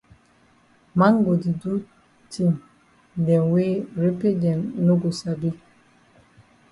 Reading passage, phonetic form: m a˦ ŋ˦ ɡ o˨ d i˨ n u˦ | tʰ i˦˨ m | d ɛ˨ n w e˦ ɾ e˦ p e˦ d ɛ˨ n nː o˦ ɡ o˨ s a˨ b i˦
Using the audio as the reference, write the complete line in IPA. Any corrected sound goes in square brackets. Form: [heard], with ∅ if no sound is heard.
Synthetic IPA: m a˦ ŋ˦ ɡ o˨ d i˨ [d] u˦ | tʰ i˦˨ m | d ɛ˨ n w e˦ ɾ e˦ p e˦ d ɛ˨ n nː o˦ ɡ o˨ s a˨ b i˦